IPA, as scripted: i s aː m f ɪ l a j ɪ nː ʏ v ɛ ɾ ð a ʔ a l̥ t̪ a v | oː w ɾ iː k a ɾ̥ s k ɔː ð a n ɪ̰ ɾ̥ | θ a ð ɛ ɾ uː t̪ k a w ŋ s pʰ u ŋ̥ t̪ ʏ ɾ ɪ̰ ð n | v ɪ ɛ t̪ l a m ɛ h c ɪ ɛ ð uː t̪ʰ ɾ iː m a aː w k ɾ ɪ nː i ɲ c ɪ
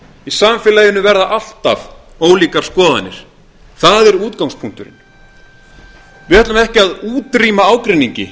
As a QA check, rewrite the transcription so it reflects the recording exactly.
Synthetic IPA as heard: i s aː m f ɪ l a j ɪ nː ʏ v ɛ ɾ ð a ʔ a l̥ t̪ a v | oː w l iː k a ɾ̥ s k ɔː ð a n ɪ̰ ɾ̥ | θ a ð ɛ ɾ uː t̪ k a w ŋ s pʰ u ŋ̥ t̪ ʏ ɾ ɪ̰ n | v ɪ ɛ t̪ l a m ɛ h c ɪ a ð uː t̪ ɾ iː m a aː w k ɾ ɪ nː i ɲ c ɪ